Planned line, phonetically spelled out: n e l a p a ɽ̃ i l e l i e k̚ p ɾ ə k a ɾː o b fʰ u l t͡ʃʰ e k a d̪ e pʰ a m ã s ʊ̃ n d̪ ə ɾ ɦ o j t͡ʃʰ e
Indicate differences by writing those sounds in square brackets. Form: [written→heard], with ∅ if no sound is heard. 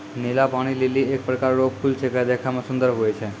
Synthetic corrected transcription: n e l a p a ɽ̃ i l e l i e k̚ p ɾ ə k a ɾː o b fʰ u l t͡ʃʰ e k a d̪ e [pʰ→kʰ] a m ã s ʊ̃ n d̪ ə ɾ ɦ o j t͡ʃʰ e